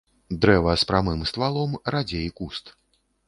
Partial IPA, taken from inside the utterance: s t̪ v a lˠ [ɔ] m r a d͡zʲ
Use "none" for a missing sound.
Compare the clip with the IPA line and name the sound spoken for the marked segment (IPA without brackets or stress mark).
ɔ